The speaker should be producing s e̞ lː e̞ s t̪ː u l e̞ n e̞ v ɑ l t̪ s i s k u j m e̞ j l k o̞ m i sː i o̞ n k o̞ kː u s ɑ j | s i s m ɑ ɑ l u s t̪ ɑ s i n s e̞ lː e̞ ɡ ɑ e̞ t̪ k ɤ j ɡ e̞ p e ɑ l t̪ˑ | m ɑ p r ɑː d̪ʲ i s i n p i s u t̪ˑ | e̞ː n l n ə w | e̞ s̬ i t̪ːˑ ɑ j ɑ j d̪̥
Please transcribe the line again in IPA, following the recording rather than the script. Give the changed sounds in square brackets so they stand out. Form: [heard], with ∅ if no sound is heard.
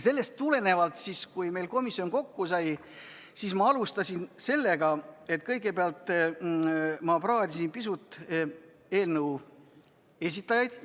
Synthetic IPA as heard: s e̞ lː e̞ s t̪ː u l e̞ n e̞ v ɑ l t̪ s i s k u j m e̞ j l k o̞ m i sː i o̞ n k o̞ kː u s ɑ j | s i s m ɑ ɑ l u s t̪ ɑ s i n s e̞ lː e̞ ɡ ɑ e̞ t̪ k ɤ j ɡ e̞ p e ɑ l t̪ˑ | m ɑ p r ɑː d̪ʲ i s i n p i s u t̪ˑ | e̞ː [∅] l n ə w | e̞ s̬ i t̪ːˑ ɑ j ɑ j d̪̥